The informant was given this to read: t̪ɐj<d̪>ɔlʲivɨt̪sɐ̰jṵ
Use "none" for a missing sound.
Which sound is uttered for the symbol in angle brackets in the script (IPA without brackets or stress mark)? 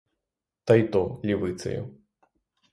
t̪